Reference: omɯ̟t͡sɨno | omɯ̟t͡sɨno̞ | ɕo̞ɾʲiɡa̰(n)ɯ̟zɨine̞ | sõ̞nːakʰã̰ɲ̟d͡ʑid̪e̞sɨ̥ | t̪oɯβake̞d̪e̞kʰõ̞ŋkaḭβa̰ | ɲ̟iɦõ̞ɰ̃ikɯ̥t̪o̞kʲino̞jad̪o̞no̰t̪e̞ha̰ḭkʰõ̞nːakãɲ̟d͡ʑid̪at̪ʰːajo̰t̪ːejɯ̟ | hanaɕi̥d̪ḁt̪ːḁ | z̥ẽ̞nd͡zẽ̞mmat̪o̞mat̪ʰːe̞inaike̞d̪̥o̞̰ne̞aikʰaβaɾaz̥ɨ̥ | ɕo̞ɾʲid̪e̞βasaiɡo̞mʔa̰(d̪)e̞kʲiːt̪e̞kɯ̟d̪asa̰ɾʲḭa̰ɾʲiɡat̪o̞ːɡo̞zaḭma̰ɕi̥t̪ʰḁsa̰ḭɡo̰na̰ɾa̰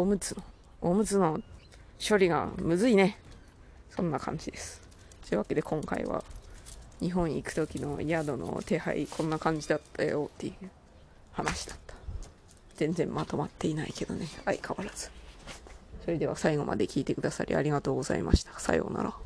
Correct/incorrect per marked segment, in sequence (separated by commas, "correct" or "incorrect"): incorrect, correct